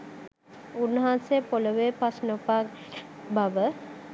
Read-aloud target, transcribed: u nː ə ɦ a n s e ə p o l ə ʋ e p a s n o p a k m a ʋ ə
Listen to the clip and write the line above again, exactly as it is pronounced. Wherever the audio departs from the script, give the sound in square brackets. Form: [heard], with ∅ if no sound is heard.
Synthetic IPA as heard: u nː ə ɦ a n s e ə p o l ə ʋ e p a s n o p a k [b] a ʋ ə